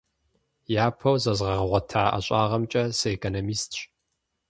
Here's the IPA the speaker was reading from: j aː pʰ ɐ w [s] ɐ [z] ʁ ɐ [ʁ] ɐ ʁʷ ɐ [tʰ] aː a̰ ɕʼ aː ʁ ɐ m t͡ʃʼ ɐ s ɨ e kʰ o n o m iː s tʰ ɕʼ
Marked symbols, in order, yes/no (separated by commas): no, yes, yes, yes